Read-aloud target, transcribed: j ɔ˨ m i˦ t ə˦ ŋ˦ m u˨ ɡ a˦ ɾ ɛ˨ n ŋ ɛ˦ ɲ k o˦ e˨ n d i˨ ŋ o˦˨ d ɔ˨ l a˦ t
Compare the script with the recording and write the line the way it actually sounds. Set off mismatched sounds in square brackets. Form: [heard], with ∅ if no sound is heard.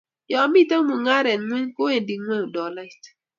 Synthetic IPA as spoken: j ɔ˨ m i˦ t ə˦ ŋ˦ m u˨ [ŋ] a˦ ɾ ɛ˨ n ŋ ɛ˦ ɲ k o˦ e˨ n d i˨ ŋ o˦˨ d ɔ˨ l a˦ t

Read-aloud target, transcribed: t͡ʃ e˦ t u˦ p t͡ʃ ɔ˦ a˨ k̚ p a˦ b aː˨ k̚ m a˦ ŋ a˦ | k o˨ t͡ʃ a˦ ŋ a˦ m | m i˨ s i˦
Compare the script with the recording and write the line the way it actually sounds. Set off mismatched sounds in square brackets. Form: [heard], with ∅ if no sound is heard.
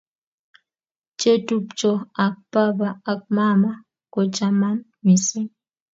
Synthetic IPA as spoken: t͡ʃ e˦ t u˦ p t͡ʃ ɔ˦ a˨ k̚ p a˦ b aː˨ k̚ m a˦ [m] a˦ | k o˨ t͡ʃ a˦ [m] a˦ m | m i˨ s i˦

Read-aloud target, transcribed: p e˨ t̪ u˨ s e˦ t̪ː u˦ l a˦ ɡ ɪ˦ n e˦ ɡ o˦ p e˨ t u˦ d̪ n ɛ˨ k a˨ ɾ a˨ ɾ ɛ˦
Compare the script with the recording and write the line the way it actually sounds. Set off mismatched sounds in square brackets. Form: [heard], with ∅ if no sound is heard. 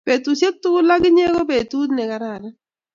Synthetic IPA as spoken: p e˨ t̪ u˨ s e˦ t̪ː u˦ l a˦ ɡ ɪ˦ [ɲ] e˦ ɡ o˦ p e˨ t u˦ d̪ n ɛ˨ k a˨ ɾ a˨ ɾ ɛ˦

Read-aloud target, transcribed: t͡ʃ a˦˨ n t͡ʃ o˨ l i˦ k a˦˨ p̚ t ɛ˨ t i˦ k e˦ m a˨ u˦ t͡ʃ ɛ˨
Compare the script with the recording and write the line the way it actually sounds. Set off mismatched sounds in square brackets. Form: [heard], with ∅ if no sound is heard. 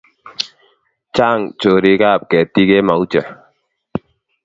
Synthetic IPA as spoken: t͡ʃ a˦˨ [ŋ] t͡ʃ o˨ [ɾ] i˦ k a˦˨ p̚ [k] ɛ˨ t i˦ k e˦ m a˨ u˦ t͡ʃ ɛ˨

